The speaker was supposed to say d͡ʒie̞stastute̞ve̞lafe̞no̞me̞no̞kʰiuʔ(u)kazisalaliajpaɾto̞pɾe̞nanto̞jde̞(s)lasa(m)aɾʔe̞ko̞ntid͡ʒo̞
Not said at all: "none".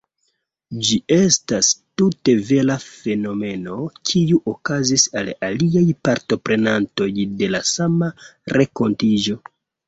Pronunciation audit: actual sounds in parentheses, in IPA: o, none, m

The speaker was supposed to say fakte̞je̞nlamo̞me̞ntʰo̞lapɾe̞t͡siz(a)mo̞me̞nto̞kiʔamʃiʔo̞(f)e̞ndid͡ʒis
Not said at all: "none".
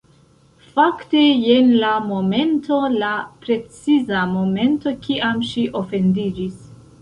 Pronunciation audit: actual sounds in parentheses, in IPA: a, f

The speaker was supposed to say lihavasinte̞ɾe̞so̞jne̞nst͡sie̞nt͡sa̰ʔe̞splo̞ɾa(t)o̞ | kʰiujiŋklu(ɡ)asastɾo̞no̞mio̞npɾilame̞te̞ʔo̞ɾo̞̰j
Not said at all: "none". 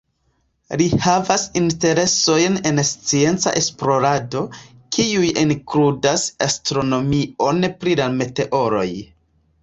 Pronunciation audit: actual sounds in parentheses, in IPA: d, d

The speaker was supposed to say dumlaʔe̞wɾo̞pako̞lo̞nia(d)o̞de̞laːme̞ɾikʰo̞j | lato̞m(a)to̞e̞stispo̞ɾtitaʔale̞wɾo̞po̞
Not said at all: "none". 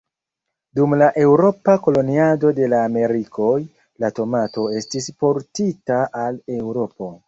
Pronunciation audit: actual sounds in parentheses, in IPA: d, a

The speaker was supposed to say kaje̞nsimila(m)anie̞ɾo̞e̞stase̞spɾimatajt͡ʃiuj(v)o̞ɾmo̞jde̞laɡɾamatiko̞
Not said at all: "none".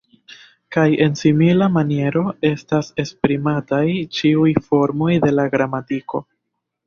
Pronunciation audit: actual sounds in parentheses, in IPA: m, f

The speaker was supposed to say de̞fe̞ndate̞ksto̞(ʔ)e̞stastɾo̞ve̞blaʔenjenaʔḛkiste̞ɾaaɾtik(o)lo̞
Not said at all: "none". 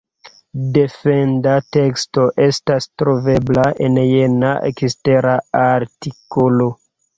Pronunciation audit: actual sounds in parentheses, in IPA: ʔ, o

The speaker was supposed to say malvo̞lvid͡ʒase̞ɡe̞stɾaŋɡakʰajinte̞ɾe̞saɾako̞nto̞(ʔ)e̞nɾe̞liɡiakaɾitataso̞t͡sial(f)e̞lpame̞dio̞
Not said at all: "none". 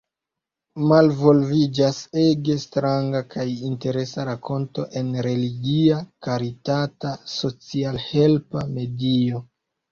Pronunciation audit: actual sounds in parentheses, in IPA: ʔ, h

